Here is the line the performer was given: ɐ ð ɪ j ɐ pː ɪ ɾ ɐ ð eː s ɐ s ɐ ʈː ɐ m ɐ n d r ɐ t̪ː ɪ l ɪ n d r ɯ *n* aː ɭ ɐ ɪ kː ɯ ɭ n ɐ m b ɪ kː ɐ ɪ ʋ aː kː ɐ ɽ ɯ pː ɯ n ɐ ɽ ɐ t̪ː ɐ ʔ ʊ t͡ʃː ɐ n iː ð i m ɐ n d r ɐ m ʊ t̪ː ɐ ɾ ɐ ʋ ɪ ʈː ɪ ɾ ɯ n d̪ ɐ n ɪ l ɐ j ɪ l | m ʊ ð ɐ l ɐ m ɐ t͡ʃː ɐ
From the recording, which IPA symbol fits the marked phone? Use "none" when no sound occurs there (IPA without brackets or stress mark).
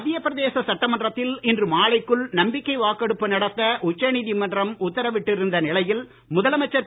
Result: m